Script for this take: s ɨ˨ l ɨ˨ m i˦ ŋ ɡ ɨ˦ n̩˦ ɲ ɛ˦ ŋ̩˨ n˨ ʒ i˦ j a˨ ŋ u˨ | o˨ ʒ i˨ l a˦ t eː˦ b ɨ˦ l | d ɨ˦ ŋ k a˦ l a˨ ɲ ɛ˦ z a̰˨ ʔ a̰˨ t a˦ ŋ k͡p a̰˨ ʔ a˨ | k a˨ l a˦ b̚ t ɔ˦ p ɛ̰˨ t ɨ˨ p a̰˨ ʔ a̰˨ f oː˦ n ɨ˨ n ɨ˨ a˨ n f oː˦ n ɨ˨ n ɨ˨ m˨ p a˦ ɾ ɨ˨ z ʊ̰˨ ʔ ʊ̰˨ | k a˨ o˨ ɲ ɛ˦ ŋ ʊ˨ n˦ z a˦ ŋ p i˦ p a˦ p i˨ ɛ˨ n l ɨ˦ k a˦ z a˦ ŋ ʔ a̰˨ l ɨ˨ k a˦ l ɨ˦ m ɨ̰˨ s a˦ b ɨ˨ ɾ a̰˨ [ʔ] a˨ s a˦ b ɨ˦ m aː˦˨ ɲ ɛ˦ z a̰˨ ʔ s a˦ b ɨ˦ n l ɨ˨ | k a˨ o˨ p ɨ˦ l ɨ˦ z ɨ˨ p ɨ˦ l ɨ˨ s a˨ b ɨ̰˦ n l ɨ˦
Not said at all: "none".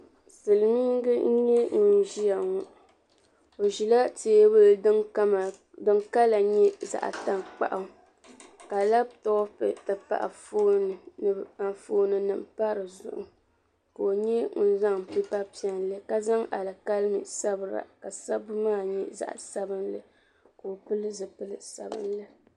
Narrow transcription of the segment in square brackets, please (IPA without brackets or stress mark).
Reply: k